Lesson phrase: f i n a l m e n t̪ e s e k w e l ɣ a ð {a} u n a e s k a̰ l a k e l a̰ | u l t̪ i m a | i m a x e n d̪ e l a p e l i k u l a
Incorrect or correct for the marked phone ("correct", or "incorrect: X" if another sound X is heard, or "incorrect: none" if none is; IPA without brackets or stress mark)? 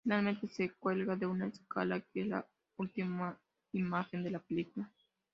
incorrect: e